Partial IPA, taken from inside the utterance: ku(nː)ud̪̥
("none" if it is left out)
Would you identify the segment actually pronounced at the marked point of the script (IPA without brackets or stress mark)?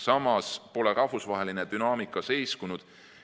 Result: n